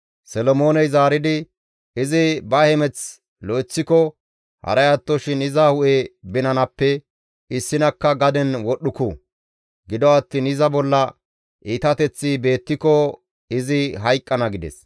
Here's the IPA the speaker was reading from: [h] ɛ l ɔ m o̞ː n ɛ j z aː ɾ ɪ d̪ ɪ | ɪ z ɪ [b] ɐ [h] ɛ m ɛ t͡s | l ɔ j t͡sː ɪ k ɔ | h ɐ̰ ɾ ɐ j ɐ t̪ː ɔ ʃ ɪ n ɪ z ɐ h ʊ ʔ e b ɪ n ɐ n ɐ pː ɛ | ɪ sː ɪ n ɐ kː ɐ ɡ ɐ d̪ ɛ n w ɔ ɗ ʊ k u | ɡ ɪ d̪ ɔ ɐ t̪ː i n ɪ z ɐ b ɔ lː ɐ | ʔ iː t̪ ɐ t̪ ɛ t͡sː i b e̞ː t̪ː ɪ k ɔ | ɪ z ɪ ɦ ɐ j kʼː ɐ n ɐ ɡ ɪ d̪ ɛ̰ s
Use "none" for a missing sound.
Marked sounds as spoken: s, b, h

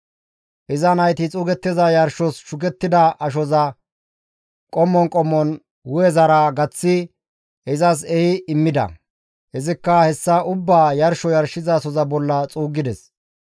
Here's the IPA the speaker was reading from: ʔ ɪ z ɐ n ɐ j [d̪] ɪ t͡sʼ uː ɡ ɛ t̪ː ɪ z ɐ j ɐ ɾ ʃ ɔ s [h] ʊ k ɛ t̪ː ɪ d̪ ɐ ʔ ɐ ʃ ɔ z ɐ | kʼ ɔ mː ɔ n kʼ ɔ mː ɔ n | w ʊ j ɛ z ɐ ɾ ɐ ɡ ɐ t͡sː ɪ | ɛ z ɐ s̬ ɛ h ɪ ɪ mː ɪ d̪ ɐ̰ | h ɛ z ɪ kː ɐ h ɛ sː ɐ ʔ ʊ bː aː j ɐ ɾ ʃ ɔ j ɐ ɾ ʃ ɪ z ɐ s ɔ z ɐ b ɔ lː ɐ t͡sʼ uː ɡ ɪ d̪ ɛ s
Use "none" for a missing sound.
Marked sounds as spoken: t̪, ʃ

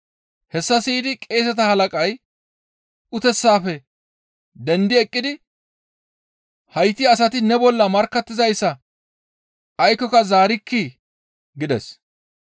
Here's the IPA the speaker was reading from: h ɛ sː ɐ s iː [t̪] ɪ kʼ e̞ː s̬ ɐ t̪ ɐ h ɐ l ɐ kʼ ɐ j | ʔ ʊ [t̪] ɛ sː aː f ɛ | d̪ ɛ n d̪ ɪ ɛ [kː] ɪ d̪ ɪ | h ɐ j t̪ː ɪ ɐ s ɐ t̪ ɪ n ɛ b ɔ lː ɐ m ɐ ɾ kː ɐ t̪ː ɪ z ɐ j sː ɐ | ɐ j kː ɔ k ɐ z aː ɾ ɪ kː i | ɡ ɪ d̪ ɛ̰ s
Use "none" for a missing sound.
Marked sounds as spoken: d̪, t̪, kʼː

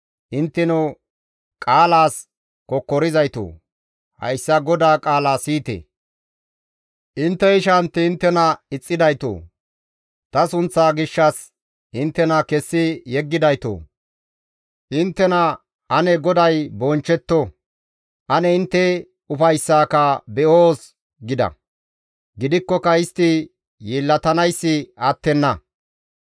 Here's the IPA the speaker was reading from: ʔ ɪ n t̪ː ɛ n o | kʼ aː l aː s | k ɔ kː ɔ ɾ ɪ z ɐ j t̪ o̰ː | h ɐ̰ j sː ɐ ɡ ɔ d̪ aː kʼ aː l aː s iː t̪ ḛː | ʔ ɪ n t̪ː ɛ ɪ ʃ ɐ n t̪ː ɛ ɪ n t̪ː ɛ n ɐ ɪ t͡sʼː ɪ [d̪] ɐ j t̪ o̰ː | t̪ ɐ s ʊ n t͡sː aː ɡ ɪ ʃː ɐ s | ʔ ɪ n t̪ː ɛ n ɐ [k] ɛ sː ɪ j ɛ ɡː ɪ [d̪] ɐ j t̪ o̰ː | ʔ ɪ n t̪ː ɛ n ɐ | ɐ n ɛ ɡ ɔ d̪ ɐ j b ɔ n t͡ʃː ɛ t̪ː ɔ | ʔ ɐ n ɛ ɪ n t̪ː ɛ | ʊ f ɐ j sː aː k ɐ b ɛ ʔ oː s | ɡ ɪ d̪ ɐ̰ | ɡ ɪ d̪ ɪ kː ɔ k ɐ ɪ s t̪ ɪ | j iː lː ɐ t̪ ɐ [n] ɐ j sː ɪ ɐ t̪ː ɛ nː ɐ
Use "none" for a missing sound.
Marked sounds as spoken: d̪, k, d̪, n

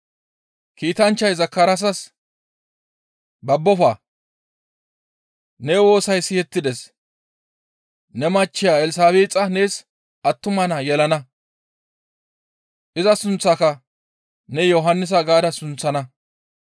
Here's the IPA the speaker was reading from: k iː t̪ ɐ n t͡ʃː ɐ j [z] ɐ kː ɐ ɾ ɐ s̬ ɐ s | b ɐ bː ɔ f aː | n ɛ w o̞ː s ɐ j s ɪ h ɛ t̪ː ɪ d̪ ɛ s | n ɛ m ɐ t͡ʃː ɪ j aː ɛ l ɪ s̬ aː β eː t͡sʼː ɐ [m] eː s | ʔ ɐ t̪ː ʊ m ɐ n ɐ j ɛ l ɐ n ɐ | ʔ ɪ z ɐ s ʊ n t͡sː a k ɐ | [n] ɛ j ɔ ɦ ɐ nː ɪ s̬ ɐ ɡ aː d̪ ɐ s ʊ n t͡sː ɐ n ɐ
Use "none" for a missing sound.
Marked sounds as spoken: z, n, n

